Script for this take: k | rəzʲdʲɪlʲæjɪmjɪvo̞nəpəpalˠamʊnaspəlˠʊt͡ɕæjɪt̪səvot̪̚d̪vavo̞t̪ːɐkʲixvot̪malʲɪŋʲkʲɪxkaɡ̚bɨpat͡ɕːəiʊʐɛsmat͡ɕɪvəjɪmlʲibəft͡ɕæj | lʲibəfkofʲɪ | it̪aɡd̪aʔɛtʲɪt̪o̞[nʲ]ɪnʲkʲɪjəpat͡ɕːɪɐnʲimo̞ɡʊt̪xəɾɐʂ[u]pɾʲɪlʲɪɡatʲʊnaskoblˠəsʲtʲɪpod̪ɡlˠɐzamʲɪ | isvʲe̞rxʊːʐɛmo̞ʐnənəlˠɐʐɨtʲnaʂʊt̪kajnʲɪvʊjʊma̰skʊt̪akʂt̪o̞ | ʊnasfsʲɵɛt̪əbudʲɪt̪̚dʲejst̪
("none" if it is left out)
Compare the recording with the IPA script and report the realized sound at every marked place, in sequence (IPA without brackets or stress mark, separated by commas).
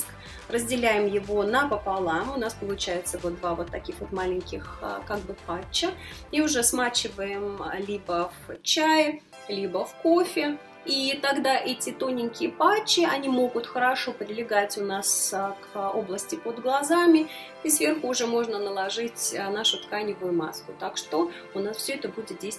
nʲ, o